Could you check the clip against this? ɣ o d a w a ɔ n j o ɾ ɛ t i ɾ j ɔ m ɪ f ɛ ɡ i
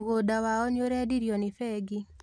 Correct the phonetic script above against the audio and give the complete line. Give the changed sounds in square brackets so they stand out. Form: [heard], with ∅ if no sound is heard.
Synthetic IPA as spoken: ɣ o d a w a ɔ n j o ɾ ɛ [d] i ɾ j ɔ [n] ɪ f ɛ ɡ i